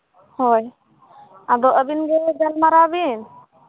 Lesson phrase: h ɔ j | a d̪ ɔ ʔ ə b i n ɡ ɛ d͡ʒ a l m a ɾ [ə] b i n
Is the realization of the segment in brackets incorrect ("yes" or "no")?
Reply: yes